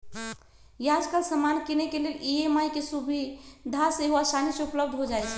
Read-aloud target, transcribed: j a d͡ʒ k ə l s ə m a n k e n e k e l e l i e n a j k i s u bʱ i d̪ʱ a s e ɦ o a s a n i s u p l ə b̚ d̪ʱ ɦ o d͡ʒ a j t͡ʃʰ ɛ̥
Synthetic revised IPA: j a d͡ʒ k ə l s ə m a n k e n e k e l e l i e m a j k e s u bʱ i d̪ʱ a s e ɦ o a s a n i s u p l ə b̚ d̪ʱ ɦ o d͡ʒ a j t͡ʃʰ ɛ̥